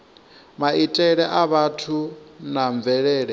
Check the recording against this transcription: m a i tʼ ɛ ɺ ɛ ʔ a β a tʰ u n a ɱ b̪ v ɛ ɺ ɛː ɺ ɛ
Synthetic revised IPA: m a i tʼ ɛ ɺ ɛ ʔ a β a tʰ u n a ɱ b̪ v ɛ ɺ ɛː ɺ ɛ